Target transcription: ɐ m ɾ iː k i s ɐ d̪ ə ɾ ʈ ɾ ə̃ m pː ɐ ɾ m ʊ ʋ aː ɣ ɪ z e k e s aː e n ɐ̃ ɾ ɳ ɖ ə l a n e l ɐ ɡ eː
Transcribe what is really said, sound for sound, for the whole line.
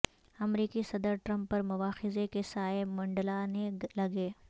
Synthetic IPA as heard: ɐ m ɾ iː k i s ɐ d̪ ə ɾ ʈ ɾ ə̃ m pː ɐ ɾ m ʊ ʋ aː x ɪ z e k e s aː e m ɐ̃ ɳ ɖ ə l a n e l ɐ ɡ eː